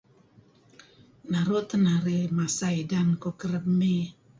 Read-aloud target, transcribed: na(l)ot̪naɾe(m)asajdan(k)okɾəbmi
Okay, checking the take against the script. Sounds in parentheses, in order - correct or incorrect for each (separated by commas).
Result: incorrect, correct, correct